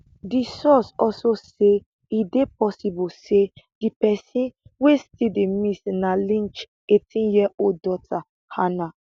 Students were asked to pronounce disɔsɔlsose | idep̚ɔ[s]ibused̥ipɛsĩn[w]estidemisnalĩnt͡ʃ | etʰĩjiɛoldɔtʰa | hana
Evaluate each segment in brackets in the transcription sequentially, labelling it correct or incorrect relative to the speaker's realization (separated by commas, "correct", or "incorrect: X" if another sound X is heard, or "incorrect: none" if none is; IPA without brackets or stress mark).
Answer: correct, correct